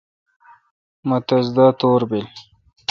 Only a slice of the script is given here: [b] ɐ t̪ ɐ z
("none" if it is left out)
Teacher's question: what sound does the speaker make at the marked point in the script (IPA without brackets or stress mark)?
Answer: m